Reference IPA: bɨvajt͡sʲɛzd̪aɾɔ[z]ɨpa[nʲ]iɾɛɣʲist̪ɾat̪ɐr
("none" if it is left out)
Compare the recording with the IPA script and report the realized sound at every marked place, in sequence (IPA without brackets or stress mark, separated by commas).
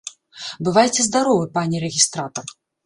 v, nʲ